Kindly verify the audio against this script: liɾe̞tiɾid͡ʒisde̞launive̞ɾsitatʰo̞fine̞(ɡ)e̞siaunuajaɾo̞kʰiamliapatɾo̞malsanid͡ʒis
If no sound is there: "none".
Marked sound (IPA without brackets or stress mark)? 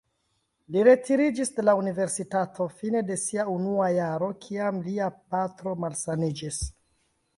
d